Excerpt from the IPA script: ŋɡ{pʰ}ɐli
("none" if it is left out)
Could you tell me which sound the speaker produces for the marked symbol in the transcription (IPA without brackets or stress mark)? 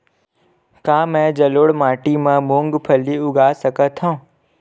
pʰ